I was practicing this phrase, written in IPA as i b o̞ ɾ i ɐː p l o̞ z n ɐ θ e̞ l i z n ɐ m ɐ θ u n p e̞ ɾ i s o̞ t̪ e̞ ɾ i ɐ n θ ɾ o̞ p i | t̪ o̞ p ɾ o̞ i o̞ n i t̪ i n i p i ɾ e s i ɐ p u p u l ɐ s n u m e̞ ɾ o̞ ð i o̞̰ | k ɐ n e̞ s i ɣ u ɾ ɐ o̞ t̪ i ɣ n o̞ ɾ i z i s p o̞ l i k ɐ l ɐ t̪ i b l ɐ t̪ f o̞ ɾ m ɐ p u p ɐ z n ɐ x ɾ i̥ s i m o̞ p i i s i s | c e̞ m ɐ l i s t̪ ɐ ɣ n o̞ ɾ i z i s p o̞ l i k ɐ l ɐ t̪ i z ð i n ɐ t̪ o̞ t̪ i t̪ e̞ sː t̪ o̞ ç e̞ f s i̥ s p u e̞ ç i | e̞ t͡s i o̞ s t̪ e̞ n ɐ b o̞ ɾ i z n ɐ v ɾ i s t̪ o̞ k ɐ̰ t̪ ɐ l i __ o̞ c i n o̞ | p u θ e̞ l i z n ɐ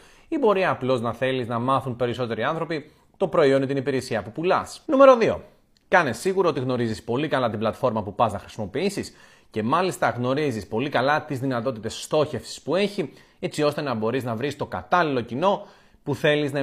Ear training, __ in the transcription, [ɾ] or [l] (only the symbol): l